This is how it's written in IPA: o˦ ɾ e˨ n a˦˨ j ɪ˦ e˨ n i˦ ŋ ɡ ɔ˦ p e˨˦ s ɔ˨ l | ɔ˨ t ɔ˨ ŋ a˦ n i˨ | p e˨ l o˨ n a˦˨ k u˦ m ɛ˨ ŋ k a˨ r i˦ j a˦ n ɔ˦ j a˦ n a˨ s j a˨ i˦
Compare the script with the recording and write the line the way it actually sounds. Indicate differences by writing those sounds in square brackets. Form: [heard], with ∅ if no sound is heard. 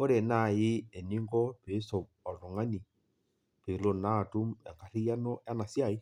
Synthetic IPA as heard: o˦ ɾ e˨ n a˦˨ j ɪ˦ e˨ n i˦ ŋ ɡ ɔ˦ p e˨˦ s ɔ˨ [∅] | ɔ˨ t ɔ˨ ŋ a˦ n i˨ | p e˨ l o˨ n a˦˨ [t] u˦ m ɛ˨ ŋ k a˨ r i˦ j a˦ n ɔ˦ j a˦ n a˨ s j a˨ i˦